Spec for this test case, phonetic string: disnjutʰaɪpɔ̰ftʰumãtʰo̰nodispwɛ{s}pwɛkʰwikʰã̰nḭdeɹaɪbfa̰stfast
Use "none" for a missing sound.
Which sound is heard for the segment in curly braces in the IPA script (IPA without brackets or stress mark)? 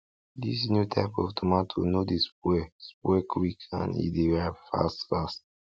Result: s